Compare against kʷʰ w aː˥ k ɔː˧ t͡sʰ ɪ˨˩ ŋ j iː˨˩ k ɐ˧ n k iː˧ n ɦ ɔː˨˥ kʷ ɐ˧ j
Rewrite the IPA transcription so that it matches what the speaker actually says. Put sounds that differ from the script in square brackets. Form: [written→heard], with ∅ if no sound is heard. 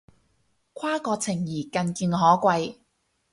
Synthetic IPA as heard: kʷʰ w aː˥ k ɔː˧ t͡sʰ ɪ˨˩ ŋ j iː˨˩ k ɐ˧ n k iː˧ n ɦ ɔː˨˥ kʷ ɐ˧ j